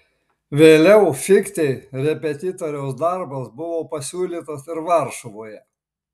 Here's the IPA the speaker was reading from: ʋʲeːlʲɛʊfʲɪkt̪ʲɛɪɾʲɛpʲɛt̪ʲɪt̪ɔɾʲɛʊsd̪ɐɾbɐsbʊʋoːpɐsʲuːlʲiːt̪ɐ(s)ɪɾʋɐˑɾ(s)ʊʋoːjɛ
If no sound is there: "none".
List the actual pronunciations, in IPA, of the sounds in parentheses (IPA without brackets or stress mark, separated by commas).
s, ʃ